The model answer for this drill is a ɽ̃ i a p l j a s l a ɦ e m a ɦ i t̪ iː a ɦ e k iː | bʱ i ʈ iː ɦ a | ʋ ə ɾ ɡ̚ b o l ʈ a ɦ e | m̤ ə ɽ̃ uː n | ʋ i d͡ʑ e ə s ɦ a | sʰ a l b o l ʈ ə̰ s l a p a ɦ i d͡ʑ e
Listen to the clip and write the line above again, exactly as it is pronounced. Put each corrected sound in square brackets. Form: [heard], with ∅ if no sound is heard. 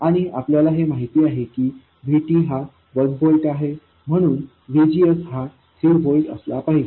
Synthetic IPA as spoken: a ɽ̃ i a p l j a [∅] l a ɦ e m a ɦ i t̪ iː a ɦ e k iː | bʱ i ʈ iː ɦ a | ʋ ə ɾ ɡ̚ b o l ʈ a ɦ e | m̤ ə ɽ̃ uː n | ʋ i d͡ʑ [i] ə s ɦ a | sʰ [i] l b o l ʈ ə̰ s l a p a ɦ i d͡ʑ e